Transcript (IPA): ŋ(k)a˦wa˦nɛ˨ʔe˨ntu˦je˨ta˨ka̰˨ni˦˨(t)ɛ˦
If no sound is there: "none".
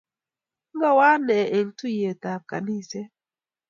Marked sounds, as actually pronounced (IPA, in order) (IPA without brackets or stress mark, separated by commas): ɡ, s